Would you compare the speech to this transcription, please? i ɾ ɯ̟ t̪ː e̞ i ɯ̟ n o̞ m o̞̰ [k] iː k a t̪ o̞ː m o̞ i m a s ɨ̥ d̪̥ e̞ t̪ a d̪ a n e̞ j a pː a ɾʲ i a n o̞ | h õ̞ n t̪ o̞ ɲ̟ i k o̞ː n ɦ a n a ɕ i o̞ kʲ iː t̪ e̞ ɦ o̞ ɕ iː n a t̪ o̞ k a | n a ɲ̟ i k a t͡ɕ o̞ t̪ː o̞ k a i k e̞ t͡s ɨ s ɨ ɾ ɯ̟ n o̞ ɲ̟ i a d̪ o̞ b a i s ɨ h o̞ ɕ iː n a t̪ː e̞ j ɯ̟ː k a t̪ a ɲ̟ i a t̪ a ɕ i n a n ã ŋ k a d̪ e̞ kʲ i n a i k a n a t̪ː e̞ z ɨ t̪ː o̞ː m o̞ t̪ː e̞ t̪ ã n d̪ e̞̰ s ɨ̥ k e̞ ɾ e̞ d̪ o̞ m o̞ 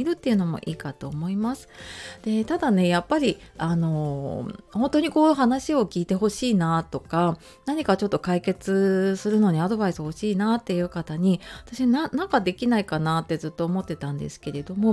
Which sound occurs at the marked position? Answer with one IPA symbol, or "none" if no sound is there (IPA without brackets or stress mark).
ʔ